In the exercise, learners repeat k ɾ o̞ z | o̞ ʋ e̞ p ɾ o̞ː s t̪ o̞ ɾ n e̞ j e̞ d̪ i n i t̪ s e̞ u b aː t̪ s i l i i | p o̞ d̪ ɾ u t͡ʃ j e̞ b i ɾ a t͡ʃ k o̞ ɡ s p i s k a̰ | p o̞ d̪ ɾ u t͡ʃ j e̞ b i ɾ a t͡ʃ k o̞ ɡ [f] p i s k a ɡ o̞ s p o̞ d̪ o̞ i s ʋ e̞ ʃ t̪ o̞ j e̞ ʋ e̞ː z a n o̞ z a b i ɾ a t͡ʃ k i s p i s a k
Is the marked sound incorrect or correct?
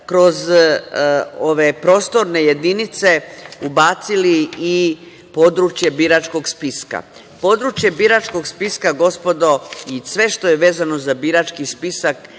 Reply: incorrect